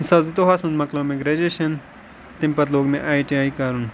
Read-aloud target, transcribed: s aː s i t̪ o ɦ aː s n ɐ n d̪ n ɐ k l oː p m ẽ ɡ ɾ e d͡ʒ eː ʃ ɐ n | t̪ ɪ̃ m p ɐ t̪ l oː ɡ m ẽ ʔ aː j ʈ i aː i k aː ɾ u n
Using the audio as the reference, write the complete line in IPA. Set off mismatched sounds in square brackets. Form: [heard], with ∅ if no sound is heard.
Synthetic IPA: s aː [z] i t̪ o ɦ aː s [m] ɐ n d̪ [m] ɐ k l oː [∅] m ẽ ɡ ɾ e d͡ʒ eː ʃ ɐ n | t̪ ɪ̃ m p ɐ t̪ l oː ɡ m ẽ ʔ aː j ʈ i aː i k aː ɾ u n